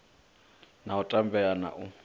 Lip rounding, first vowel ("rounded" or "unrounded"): unrounded